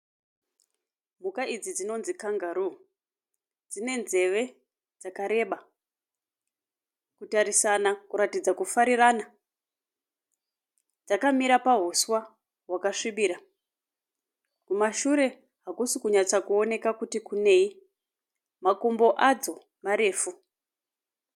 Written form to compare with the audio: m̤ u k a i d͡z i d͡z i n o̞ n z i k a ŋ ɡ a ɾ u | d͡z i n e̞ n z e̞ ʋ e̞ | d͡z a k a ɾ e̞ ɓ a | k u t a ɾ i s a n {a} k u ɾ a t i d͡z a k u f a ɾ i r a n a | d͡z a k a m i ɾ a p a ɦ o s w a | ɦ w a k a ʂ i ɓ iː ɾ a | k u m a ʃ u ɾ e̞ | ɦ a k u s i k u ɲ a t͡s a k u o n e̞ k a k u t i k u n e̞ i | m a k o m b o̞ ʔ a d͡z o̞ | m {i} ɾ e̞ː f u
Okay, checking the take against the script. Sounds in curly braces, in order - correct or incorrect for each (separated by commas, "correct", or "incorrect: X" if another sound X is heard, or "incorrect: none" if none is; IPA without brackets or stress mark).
correct, incorrect: a